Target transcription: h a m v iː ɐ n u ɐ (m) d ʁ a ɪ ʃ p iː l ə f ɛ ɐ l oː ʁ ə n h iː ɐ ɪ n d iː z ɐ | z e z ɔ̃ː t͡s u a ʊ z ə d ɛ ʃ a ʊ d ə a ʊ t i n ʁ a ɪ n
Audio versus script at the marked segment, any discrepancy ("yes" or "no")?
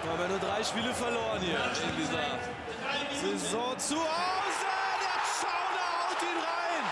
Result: yes